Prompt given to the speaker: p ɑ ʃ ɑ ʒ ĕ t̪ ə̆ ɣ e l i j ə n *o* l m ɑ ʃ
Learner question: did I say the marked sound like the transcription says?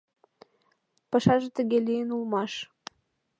no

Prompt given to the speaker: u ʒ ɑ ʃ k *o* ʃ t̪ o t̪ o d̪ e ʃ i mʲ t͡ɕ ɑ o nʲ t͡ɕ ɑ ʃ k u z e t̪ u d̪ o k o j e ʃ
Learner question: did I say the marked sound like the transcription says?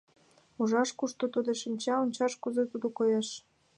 no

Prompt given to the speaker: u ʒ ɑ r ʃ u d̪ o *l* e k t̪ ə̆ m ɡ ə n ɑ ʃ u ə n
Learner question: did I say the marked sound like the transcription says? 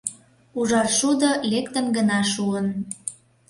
yes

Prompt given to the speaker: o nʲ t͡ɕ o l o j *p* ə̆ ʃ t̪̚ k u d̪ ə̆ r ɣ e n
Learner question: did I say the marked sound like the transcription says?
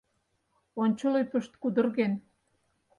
yes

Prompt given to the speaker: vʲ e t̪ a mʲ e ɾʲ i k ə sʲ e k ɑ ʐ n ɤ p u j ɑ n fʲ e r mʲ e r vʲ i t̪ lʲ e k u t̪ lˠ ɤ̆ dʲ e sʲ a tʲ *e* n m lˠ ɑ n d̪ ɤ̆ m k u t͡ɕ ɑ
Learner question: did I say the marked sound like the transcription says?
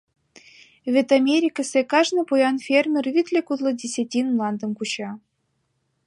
no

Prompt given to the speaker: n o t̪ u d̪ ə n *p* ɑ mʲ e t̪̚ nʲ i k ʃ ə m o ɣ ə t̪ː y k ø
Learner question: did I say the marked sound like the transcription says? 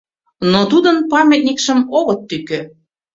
yes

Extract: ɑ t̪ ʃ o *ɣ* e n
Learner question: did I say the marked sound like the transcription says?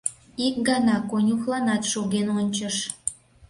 yes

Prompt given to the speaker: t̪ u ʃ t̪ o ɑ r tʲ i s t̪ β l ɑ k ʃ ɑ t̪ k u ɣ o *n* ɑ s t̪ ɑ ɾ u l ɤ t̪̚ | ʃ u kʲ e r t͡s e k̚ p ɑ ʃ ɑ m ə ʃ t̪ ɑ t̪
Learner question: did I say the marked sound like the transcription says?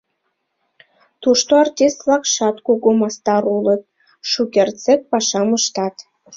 no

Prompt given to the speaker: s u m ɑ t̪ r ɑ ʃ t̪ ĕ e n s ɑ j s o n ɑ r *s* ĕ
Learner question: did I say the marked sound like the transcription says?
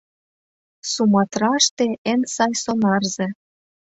no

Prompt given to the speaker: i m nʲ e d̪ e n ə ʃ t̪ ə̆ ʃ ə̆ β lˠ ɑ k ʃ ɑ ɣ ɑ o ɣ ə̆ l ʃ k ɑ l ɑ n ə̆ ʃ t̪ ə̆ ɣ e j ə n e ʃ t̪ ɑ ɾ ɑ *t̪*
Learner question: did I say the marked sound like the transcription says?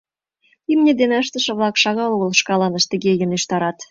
yes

